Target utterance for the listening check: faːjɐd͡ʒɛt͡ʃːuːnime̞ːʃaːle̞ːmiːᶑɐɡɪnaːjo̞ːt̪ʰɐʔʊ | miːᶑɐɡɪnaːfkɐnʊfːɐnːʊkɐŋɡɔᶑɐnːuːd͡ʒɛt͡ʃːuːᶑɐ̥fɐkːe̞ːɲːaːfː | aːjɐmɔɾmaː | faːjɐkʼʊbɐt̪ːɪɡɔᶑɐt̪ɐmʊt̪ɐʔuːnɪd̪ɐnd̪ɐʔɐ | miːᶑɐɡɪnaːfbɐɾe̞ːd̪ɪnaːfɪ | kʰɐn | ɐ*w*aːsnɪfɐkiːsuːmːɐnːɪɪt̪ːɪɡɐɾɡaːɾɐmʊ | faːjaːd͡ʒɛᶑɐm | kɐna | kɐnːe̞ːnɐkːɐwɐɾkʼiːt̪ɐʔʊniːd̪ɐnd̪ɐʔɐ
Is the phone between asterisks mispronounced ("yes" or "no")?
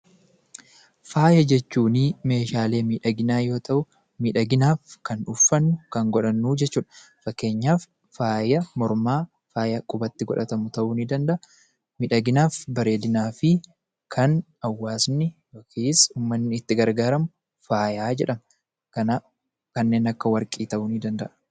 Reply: yes